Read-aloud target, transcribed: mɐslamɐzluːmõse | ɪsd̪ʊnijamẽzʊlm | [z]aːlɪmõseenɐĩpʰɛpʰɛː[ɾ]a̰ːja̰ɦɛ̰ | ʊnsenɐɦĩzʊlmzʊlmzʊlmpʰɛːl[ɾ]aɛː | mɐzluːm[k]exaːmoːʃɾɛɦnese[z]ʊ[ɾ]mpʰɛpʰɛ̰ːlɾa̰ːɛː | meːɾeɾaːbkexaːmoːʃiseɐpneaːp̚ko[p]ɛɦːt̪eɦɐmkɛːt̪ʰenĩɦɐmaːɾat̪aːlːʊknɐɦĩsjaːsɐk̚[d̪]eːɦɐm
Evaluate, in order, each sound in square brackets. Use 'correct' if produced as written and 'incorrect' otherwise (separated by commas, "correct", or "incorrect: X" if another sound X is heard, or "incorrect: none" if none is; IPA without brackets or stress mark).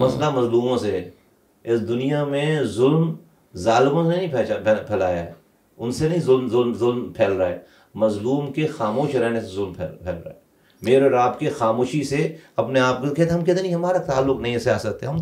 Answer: correct, incorrect: l, correct, correct, correct, incorrect: l, incorrect: k, incorrect: t̪